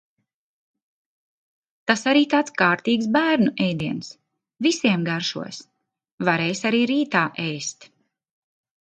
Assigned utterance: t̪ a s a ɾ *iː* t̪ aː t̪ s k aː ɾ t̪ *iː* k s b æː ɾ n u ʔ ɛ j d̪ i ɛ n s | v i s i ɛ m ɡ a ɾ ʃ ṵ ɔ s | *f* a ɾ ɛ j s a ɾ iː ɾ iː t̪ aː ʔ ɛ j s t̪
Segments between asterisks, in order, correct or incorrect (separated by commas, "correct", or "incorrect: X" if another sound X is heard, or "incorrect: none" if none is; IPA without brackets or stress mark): correct, correct, incorrect: v